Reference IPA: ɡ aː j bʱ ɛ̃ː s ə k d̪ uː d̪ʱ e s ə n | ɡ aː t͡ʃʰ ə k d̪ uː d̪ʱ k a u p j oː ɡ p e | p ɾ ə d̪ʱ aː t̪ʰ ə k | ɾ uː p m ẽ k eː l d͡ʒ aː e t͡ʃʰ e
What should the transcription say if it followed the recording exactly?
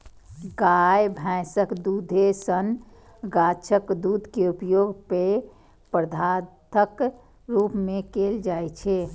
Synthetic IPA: ɡ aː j bʱ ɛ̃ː s ə k d̪ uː d̪ʱ e s ə n | ɡ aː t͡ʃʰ ə k d̪ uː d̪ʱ k e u p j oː ɡ p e | p ɾ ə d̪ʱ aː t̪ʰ ə k | ɾ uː p m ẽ k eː l d͡ʒ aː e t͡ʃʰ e